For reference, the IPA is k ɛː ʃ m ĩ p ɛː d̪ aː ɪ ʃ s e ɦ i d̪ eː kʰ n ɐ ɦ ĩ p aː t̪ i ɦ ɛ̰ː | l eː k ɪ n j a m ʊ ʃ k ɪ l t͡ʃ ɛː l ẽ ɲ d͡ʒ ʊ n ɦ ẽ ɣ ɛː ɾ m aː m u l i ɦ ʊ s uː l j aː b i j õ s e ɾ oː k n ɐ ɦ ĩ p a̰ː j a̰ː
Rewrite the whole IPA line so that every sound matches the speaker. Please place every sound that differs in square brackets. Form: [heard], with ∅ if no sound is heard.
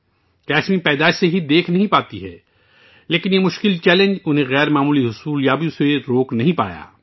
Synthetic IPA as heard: k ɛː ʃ m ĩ p ɛː d̪ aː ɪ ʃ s e ɦ i d̪ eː kʰ n ɐ ɦ ĩ p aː t̪ i ɦ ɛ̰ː | l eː k ɪ n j [e] m ʊ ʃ k ɪ l t͡ʃ ɛː l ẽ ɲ d͡ʒ ʊ n ɦ ẽ ɣ ɛː ɾ m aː m [uː] l i ɦ ʊ s uː l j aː b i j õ s e ɾ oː k n ɐ ɦ ĩ p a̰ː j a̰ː